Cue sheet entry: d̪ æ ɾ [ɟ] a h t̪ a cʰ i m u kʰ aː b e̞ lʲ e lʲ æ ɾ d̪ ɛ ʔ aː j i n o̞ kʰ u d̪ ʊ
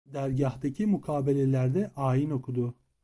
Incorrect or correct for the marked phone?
correct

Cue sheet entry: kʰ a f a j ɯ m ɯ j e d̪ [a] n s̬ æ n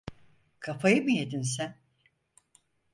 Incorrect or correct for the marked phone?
incorrect: i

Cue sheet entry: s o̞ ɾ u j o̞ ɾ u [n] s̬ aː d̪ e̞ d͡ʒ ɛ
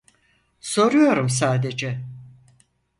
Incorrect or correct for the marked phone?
incorrect: m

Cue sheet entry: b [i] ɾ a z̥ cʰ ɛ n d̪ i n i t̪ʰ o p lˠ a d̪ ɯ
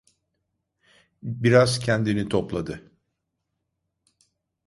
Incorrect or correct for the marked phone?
correct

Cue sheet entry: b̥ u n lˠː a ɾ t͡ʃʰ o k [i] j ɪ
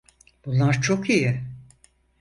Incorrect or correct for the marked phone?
correct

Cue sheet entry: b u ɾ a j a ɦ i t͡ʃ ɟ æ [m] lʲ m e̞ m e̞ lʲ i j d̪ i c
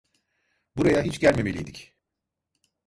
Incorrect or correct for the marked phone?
incorrect: none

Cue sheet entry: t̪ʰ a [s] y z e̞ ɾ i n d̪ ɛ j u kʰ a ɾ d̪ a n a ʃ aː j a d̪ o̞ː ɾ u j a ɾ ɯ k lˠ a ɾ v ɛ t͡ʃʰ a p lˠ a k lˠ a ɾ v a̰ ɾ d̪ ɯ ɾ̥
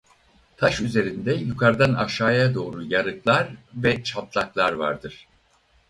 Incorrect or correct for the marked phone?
incorrect: ʃ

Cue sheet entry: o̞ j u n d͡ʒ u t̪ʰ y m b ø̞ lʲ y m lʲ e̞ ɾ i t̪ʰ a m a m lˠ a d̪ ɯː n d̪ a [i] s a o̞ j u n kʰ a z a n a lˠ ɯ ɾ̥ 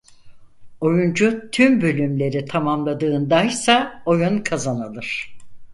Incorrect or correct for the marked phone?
incorrect: j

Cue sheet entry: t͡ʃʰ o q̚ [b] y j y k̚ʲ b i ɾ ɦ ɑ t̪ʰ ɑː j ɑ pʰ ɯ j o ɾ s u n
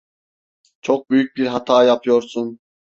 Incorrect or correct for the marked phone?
correct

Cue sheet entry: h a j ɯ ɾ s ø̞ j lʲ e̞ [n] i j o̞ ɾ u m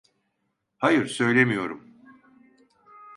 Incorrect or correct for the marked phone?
incorrect: m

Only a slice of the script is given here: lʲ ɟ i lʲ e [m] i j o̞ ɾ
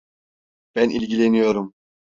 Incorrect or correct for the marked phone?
incorrect: n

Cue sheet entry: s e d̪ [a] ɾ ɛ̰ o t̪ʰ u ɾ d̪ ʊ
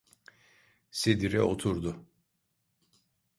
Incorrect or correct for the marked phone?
incorrect: i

